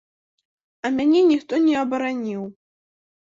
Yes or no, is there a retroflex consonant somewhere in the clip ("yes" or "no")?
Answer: no